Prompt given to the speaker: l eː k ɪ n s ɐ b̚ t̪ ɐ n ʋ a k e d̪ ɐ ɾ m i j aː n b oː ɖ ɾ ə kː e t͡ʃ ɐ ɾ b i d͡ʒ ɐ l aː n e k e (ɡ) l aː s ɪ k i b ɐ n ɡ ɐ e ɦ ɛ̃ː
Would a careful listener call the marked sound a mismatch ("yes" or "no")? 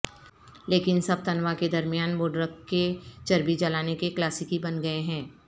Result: yes